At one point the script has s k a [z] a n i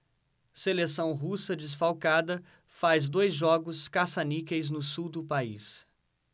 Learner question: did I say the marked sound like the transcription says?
no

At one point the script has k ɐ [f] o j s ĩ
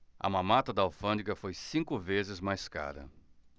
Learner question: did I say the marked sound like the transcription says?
yes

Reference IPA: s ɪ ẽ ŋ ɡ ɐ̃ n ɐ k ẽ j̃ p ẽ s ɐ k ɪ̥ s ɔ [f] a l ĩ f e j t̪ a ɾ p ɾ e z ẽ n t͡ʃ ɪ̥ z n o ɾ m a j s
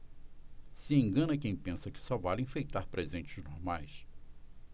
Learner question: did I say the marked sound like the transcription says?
no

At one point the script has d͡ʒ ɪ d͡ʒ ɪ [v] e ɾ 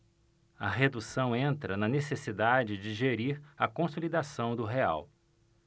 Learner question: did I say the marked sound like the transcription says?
no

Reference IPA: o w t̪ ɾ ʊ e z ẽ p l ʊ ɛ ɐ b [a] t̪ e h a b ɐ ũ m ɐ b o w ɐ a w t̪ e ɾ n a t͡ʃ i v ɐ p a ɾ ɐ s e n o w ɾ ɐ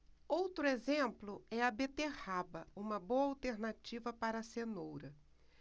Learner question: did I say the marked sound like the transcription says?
no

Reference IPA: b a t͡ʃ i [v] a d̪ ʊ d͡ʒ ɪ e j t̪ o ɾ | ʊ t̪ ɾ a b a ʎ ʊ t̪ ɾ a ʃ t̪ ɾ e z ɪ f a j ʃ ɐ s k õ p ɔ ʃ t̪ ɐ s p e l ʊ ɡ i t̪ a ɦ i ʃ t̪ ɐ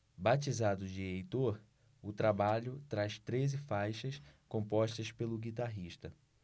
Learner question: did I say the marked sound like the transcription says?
no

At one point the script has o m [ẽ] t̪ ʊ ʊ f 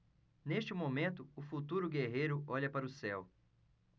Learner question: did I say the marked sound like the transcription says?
yes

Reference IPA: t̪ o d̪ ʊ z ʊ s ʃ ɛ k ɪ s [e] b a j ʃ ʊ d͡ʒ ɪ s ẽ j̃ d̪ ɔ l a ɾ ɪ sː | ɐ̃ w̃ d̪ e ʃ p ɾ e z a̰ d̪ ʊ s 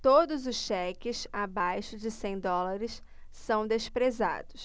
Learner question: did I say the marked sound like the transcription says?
no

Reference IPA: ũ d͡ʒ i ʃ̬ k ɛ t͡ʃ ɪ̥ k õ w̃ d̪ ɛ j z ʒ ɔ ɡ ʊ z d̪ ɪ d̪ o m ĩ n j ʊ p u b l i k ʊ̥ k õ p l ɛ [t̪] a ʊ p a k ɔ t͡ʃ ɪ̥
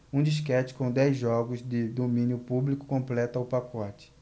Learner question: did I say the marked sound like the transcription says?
yes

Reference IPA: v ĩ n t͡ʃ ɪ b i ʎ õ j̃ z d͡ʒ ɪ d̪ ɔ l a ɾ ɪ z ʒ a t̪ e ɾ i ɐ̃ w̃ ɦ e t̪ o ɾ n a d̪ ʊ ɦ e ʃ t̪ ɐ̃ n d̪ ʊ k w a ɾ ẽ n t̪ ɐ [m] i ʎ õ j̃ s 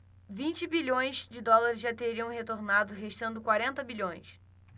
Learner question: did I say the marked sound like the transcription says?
no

